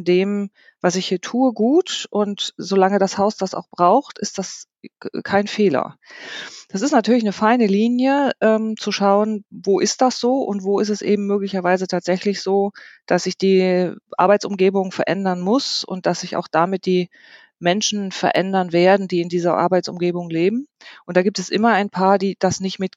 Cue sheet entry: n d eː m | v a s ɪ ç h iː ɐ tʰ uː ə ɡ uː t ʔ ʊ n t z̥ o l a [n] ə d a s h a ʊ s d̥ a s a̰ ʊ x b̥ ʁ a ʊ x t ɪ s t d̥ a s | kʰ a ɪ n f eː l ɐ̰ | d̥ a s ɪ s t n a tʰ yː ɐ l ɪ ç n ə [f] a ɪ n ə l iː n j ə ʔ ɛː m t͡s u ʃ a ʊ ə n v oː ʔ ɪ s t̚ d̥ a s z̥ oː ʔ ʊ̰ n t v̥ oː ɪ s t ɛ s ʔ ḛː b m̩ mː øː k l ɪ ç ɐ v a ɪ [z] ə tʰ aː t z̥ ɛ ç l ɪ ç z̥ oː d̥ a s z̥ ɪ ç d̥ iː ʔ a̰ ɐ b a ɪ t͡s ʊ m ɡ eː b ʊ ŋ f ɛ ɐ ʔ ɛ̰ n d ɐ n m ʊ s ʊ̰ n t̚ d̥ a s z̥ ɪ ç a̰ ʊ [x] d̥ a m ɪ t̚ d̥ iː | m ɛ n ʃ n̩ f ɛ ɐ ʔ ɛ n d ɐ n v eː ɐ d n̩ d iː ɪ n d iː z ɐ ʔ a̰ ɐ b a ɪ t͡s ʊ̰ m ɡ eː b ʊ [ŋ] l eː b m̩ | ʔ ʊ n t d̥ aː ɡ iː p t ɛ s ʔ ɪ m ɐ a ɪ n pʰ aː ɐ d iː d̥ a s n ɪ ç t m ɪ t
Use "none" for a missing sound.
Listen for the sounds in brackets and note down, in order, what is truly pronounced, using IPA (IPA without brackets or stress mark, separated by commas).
ŋ, f, z, x, ŋ